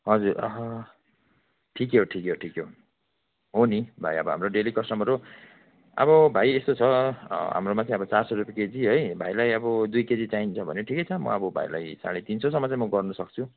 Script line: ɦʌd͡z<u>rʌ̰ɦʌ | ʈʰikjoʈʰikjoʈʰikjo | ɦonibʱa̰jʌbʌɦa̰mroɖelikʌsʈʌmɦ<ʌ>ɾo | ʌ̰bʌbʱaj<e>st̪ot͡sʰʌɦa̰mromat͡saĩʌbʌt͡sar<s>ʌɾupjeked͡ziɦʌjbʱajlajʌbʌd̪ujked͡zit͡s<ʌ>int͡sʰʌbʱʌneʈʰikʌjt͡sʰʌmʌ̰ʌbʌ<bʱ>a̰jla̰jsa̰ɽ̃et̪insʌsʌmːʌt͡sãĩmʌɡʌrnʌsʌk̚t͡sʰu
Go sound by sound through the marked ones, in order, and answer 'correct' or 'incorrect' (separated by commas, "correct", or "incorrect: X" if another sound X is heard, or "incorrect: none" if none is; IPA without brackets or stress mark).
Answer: correct, correct, correct, correct, incorrect: a, correct